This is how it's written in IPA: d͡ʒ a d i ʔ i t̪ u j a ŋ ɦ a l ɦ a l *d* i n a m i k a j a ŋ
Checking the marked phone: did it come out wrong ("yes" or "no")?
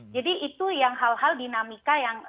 no